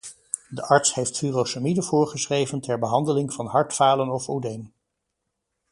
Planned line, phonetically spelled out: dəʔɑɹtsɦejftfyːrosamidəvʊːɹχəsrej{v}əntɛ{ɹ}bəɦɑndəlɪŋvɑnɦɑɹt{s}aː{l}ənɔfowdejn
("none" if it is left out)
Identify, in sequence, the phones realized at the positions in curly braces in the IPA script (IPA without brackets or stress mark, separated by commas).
v, ɹ, f, l